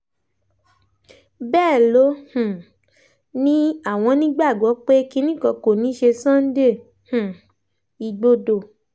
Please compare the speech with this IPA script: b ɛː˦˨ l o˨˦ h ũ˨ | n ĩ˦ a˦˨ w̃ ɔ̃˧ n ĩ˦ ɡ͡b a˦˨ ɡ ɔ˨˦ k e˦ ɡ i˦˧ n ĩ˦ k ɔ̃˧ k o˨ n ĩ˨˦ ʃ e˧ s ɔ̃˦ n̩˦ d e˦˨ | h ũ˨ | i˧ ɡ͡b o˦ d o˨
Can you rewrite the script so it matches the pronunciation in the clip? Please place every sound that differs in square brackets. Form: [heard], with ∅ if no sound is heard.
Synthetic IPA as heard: b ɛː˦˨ l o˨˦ h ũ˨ | n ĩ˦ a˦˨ w̃ ɔ̃˧ n ĩ˦ ɡ͡b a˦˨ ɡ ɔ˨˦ [k͡p] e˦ [k] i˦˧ n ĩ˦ k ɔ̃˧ k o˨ n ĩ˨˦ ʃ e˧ s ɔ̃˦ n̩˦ d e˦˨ | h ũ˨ | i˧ ɡ͡b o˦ d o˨